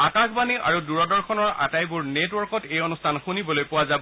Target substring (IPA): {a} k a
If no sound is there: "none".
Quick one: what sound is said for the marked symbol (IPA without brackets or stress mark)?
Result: a